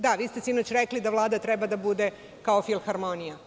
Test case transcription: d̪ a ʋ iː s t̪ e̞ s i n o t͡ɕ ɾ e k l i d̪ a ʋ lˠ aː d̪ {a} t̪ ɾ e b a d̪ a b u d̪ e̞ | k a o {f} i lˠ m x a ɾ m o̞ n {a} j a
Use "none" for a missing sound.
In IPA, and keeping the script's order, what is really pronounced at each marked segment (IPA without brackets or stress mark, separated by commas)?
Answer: a, f, i